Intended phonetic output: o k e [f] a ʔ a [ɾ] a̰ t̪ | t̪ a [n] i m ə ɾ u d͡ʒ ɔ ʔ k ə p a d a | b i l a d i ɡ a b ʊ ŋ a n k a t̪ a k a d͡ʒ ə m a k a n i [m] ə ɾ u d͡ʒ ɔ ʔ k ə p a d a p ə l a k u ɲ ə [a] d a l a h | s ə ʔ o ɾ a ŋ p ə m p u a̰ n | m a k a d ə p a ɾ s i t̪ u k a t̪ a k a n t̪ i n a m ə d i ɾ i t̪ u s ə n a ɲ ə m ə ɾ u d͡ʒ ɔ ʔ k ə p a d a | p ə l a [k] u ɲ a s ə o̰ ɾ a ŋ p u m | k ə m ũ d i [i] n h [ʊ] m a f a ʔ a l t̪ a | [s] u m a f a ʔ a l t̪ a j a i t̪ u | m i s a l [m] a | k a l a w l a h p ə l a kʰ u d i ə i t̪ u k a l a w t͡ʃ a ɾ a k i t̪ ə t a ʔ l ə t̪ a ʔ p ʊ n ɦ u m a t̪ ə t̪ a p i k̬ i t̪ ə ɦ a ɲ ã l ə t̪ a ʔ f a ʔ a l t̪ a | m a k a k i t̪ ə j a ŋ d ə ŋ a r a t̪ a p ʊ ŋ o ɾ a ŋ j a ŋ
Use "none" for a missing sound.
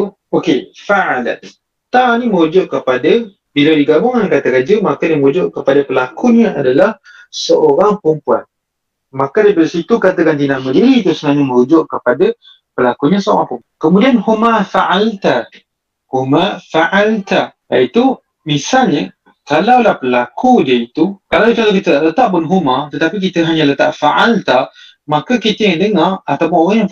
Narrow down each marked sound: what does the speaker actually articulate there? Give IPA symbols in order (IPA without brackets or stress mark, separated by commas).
f, l, n, m, a, k, a, u, h, ɲ